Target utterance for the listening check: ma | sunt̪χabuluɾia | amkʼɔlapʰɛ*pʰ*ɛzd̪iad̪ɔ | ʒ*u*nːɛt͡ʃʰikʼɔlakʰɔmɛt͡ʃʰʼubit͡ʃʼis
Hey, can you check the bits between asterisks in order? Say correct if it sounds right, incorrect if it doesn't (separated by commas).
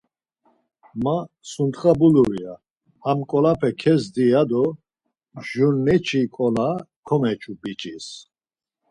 incorrect, correct